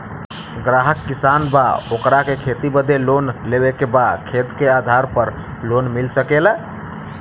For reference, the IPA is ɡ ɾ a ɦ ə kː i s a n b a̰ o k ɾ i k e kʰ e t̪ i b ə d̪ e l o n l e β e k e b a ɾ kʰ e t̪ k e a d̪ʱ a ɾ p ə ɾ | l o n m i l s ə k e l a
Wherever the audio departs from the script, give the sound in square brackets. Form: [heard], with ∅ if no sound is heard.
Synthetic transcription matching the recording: ɡ ɾ a ɦ ə kː i s a n b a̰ o k ɾ [a] k e kʰ e t̪ i b ə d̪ e l o n l e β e k e b a [∅] kʰ e t̪ k e a d̪ʱ a ɾ p ə ɾ | l o n m i l s ə k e l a